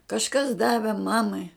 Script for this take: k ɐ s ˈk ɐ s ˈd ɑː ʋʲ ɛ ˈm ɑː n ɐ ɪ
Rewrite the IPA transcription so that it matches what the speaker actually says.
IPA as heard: k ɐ ʃ ˈk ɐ s ˈd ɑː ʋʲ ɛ ˈm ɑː m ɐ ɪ